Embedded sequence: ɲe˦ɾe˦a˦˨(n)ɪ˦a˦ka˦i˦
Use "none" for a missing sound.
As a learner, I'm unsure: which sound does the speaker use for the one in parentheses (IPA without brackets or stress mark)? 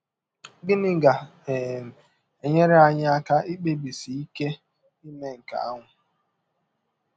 ɲ